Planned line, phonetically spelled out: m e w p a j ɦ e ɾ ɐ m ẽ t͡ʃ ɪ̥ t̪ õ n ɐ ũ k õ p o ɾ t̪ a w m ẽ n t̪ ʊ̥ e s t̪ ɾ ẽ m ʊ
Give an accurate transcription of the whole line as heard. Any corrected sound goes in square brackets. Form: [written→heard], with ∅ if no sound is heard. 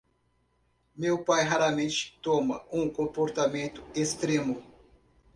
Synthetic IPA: m e w p a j ɦ [e→a] ɾ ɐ m ẽ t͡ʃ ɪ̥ t̪ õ [n→m] ɐ ũ k õ p o ɾ t̪ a [w→∅] m ẽ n t̪ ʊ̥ e s t̪ ɾ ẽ m ʊ